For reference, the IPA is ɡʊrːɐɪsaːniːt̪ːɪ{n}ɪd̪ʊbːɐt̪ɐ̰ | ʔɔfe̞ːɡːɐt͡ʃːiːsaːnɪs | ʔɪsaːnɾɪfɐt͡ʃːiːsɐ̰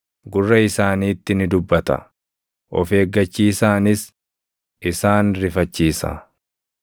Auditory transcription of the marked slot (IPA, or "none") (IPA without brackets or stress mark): n